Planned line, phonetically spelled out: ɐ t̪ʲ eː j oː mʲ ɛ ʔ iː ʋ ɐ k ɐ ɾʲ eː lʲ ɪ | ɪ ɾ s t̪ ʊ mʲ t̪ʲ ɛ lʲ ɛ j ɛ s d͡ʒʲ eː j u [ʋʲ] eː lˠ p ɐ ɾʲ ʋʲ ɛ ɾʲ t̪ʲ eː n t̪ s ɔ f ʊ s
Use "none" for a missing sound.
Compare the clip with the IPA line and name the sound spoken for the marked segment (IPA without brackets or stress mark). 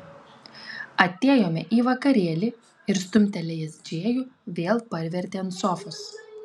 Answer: ʋʲ